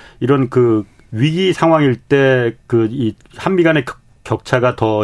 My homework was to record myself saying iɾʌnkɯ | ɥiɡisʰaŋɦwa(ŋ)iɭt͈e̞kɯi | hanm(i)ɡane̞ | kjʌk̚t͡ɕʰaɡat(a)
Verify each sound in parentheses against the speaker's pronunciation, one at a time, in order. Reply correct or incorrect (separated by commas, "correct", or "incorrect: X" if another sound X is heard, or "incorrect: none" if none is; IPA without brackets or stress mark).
correct, correct, incorrect: ʌ